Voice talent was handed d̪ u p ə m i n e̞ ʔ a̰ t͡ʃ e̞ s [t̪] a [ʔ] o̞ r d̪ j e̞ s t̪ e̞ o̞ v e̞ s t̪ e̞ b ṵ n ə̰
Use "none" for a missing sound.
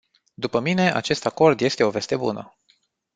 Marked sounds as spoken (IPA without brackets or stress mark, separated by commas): t̪, k